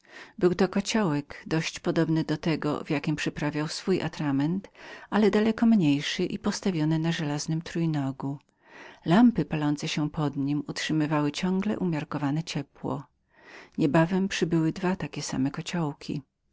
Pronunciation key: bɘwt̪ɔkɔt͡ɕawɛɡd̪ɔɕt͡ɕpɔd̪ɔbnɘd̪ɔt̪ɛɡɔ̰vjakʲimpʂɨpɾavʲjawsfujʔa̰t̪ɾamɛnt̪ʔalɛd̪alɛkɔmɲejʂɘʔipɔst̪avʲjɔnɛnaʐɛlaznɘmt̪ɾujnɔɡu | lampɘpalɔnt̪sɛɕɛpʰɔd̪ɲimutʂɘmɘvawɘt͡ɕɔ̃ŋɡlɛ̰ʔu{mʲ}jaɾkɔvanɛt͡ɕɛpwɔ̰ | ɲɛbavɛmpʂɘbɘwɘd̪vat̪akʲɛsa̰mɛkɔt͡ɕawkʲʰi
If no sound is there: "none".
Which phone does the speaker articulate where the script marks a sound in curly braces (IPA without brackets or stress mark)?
mʲ